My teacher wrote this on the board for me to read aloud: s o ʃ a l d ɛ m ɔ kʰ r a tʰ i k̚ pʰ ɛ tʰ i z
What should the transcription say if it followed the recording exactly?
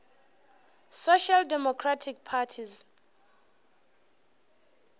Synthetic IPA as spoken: s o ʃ a l d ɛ m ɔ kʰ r a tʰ i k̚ pʰ a tʰ i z